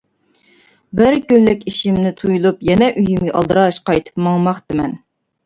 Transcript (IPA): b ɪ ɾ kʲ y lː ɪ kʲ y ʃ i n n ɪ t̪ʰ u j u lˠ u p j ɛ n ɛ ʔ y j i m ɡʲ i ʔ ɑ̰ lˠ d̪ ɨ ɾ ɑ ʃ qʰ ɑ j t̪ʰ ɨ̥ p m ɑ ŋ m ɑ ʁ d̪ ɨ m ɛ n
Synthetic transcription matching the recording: b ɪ ɾ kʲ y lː ɪ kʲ i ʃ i m n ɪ t̪ʰ u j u lˠ u p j ɛ n ɛ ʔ y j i m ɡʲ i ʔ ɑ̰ lˠ d̪ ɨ ɾ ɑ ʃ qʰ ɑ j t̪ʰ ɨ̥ p m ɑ ŋ m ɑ χ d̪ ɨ m ɛ n